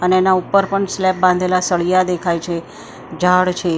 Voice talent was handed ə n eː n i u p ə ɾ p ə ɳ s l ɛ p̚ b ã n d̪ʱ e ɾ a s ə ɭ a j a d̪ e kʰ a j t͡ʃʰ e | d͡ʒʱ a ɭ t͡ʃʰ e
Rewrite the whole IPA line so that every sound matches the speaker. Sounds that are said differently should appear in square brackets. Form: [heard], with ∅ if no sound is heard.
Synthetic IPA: ə n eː n [a] u p ə ɾ p ə ɳ s l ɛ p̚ b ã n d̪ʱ e [l] a s ə ɭ [i] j a d̪ e kʰ a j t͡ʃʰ e | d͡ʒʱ a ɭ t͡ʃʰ e